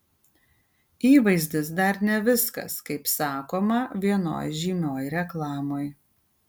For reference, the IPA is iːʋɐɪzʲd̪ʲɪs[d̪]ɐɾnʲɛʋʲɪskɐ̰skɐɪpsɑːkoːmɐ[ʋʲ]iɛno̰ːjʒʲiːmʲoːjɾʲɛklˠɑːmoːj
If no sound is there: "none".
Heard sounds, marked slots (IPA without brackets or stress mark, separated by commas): d̪, ʋʲ